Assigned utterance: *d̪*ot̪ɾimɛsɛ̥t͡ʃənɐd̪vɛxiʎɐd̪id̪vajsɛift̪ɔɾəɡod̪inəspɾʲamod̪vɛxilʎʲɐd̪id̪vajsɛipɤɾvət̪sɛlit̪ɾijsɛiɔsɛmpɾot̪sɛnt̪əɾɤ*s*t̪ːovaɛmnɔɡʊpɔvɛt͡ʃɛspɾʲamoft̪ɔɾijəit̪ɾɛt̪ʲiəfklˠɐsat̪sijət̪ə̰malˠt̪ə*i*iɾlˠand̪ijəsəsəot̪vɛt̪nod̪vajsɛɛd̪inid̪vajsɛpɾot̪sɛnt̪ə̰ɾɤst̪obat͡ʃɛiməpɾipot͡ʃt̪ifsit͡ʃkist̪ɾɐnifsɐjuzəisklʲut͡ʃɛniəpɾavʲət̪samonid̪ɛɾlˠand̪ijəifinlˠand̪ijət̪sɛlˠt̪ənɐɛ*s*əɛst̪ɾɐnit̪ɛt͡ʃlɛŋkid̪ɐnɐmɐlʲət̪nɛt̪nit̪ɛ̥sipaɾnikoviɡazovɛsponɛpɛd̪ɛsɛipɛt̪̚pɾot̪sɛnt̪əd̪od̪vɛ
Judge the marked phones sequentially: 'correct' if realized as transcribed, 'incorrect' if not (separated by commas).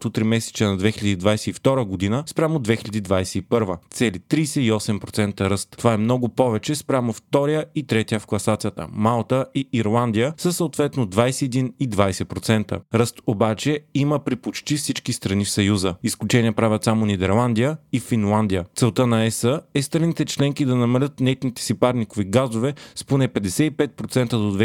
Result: incorrect, correct, correct, correct